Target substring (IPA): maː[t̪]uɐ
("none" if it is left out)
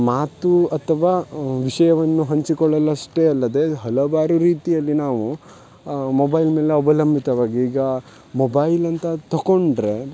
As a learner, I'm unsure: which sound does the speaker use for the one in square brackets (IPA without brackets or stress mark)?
t̪